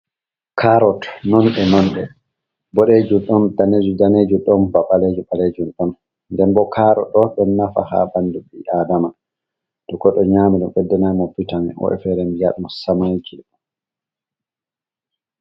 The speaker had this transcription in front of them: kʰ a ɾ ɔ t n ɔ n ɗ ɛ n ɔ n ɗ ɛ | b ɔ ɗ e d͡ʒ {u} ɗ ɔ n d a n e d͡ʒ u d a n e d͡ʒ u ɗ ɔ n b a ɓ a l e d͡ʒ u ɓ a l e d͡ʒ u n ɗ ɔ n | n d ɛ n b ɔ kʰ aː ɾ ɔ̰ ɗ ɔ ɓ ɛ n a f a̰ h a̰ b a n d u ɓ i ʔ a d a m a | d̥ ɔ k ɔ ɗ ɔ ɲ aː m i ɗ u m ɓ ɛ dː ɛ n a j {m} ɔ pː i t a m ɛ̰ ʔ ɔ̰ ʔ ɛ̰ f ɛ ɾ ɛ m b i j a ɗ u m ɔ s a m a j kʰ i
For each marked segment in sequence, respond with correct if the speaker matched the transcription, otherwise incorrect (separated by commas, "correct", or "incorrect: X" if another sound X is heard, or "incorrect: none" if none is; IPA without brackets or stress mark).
correct, correct